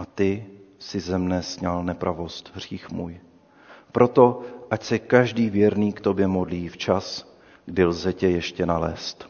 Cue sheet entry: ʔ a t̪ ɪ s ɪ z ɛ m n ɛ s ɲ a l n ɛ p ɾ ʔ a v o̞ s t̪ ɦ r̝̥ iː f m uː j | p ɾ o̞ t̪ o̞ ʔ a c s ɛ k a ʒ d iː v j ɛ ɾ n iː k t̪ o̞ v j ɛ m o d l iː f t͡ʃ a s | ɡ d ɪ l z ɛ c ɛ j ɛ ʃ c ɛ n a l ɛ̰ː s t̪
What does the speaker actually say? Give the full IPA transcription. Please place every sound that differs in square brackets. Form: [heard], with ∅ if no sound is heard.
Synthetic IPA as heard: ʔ a t̪ ɪ s ɪ z ɛ m n ɛ s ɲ a l n ɛ p ɾ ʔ a v o̞ s t̪ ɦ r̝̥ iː [x] m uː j | p ɾ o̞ t̪ o̞ ʔ a c s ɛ k a ʒ d iː v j ɛ ɾ n iː k t̪ o̞ [b] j ɛ m o d l iː f t͡ʃ a s | ɡ d ɪ l z ɛ c ɛ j ɛ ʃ c ɛ n a l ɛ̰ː s t̪